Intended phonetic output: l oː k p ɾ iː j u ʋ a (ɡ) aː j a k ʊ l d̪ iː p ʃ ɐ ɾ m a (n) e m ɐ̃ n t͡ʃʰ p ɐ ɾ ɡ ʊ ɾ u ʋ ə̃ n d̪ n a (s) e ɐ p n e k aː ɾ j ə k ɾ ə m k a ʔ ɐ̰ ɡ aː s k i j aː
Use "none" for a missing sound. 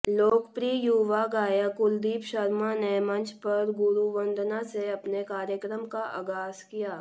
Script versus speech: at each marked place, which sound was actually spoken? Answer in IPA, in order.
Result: ɡ, n, s

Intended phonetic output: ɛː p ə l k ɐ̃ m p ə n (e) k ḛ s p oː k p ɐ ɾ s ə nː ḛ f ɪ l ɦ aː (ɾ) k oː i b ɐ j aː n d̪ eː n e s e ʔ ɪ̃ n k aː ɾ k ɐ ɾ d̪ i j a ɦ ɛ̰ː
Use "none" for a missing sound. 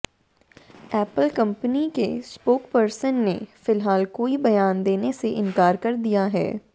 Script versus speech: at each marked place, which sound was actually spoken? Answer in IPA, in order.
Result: i, l

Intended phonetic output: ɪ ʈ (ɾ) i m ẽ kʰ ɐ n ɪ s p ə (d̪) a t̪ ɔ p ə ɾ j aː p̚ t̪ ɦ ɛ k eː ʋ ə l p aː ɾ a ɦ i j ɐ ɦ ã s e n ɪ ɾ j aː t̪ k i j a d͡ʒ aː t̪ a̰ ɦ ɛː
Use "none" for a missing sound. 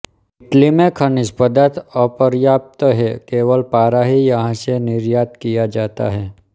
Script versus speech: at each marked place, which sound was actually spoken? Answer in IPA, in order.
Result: l, d̪

